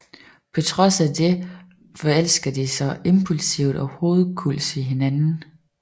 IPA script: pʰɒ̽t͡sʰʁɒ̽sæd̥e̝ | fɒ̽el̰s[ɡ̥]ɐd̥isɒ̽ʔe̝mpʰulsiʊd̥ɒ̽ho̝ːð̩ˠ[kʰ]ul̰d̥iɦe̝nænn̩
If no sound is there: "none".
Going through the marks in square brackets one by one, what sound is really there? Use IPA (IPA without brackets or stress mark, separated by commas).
ɡ̥, kʰ